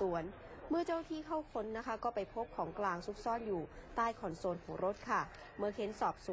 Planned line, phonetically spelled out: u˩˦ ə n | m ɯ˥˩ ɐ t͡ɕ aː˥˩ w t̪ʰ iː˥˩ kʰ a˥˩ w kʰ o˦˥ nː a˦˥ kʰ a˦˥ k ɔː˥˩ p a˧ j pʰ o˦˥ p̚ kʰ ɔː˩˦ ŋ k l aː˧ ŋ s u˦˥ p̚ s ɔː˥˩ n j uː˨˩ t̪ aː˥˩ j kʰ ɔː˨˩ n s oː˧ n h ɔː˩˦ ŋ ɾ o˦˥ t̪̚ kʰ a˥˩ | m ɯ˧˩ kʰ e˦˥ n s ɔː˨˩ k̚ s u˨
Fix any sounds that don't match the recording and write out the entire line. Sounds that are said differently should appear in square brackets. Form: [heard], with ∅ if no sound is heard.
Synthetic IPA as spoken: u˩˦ ə n | m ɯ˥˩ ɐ t͡ɕ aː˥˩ w t̪ʰ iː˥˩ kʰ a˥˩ w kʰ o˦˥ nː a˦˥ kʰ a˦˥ k ɔː˥˩ p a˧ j pʰ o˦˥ p̚ kʰ ɔː˩˦ ŋ k l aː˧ ŋ s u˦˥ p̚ s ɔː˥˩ n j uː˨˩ t̪ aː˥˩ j kʰ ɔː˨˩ n s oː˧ n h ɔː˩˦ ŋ ɾ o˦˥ t̪̚ kʰ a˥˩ | m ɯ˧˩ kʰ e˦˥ n s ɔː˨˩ [p̚] s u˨